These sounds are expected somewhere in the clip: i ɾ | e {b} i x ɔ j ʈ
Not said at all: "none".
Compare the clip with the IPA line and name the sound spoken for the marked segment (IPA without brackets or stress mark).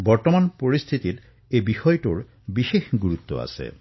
b